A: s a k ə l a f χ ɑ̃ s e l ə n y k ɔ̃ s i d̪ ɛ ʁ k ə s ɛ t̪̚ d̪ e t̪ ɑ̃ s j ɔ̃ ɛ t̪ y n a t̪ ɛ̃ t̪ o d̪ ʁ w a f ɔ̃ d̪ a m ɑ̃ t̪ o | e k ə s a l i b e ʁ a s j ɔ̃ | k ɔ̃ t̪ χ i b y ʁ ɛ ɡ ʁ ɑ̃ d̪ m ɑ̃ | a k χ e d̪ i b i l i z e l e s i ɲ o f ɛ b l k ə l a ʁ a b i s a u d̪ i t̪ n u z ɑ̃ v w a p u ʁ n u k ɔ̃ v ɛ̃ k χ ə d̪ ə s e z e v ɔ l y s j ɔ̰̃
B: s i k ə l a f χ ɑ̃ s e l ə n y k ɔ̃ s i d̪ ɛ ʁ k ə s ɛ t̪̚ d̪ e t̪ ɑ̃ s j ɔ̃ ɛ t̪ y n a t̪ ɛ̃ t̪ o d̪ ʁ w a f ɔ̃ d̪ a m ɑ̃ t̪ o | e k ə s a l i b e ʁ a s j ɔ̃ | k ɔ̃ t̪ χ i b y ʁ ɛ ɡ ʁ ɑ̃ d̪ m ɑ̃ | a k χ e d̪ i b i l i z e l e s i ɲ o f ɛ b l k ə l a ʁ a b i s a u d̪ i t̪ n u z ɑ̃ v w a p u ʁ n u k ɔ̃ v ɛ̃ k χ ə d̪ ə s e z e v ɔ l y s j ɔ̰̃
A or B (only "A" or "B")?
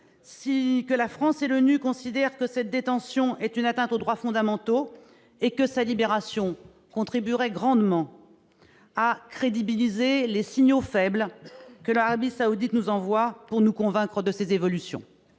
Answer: B